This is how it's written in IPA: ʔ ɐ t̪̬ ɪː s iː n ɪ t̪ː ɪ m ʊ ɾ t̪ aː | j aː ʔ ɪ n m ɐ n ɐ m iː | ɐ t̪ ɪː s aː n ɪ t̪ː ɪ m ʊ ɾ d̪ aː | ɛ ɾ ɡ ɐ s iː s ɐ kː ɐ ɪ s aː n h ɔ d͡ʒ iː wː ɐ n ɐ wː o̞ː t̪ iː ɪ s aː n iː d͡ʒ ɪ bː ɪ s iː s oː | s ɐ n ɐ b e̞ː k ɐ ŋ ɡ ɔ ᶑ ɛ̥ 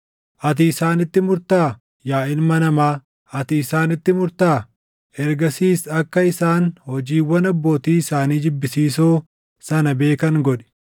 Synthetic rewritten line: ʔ ɐ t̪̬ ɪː s aː n ɪ t̪ː ɪ m ʊ ɾ t̪ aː | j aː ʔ ɪ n m ɐ n ɐ m aː | ɐ t̪ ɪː s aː n ɪ t̪ː ɪ m ʊ ɾ t̪ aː | ɛ ɾ ɡ ɐ s iː s ɐ kː ɐ ɪ s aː n h ɔ d͡ʒ iː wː ɐ n ɐ bː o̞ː t̪ iː ɪ s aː n iː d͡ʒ ɪ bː ɪ s iː s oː | s ɐ n ɐ b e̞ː k ɐ ŋ ɡ ɔ ᶑ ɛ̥